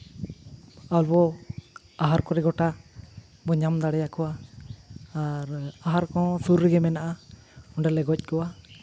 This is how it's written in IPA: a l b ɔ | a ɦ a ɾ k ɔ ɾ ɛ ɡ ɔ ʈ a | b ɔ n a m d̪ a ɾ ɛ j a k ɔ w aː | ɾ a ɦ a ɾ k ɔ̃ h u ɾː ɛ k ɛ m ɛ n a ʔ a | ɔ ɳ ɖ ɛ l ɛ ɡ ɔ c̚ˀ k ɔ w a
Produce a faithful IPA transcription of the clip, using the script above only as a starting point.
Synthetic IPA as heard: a l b ɔ | a ɦ a ɾ k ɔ ɾ ɛ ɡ ɔ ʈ a | b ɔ ɲ a m d̪ a ɽ ɛ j a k ɔ w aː | ɾ a ɦ a ɾ k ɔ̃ s u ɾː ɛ ɡ ɛ m ɛ n a ʔ a | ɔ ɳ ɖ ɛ l ɛ ɡ ɔ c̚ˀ k ɔ w a